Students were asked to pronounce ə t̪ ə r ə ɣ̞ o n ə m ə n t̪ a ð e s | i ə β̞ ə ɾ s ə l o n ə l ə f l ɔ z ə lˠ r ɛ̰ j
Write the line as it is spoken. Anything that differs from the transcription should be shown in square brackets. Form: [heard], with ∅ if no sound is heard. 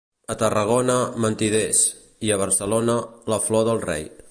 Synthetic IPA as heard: ə t̪ ə r ə ɣ̞ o n ə m ə n t̪ [i] ð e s | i ə β̞ ə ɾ s ə l o n ə l ə f l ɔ [ð] ə lˠ r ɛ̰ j